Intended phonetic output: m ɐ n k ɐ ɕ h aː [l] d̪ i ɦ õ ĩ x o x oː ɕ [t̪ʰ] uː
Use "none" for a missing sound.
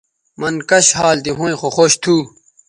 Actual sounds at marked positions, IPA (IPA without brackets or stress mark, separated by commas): l, t̪ʰ